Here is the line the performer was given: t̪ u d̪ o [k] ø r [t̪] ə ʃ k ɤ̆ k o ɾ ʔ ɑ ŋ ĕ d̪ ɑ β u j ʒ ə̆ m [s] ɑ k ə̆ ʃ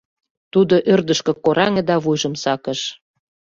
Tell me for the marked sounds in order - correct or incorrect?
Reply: incorrect: ʔ, incorrect: d̪, correct

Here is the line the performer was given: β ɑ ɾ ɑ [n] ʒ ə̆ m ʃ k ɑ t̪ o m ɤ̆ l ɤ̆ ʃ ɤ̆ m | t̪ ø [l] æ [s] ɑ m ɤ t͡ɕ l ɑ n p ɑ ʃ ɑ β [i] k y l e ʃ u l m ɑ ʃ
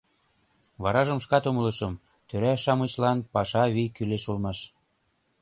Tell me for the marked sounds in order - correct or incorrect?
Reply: incorrect: none, incorrect: ɾ, incorrect: ʃ, correct

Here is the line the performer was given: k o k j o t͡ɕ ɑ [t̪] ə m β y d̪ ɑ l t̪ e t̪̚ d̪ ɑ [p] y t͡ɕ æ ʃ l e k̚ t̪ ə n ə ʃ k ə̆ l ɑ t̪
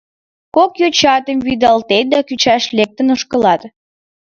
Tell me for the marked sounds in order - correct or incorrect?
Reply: correct, incorrect: k

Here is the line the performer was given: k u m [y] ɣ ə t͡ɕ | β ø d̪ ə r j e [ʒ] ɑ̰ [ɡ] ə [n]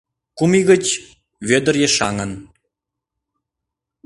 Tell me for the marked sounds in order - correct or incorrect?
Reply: incorrect: i, incorrect: ʃ, incorrect: ŋ, correct

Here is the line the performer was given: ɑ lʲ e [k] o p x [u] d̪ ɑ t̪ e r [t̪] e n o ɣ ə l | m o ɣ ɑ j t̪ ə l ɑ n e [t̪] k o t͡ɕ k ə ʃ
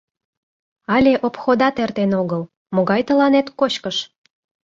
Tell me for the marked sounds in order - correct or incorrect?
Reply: incorrect: ʔ, incorrect: o, correct, correct

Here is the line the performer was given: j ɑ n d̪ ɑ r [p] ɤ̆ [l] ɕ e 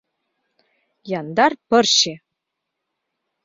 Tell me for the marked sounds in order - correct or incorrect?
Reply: correct, incorrect: r

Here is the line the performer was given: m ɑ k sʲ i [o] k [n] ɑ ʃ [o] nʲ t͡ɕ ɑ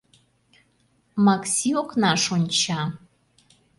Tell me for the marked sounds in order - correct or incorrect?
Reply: correct, correct, correct

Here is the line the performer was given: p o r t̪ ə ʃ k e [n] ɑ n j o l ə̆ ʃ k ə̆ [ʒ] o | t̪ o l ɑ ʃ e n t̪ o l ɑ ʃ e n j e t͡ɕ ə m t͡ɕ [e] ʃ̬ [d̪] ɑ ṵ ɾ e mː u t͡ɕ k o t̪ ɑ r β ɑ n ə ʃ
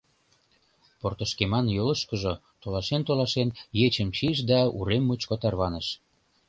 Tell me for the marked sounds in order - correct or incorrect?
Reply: incorrect: m, correct, incorrect: i, correct

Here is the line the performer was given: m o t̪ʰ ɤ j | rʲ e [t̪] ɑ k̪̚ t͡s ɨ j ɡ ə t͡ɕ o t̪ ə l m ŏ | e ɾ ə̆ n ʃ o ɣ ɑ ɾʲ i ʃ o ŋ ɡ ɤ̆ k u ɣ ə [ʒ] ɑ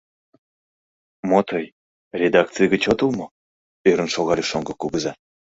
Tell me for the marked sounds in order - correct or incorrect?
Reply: incorrect: d̪, incorrect: z

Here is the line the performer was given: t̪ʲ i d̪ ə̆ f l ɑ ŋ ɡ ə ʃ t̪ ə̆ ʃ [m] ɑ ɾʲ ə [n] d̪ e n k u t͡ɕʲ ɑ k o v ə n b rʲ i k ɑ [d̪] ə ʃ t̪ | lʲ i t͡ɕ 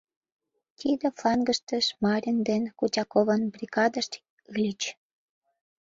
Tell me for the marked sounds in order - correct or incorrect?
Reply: correct, correct, correct

